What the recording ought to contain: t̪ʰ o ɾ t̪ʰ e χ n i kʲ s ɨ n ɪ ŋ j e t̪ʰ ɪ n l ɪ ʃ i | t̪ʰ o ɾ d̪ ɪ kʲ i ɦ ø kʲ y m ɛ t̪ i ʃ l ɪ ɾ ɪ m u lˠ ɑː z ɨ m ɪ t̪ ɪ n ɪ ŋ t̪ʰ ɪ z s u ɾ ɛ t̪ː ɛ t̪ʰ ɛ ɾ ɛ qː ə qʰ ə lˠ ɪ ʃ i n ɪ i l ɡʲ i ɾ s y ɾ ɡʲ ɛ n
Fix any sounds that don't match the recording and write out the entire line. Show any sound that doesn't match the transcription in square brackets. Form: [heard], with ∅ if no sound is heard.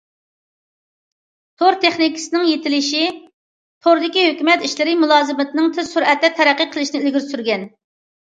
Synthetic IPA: t̪ʰ o ɾ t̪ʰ e χ n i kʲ s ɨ n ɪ ŋ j e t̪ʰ ɪ [∅] l ɪ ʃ i | t̪ʰ o ɾ d̪ ɪ kʲ i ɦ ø kʲ y m ɛ t̪ i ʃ l ɪ ɾ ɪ m u lˠ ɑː z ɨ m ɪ t̪ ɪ n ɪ ŋ t̪ʰ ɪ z s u ɾ ɛ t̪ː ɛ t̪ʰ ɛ ɾ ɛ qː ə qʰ ə lˠ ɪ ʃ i n ɪ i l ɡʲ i ɾ s y ɾ ɡʲ ɛ n